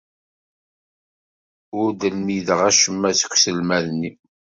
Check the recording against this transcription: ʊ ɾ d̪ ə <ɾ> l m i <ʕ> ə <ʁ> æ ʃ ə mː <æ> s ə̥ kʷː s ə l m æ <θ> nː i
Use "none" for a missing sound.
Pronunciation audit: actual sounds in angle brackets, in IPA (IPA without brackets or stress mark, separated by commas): none, ð, ʁ, æ, ð